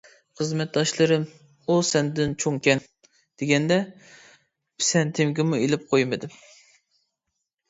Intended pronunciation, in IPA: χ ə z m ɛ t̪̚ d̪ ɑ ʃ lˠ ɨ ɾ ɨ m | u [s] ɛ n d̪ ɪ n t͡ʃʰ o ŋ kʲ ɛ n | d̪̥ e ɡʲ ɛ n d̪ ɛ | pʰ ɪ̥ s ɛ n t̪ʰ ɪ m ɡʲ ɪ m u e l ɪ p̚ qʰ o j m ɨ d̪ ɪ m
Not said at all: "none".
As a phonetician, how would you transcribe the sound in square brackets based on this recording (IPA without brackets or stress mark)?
s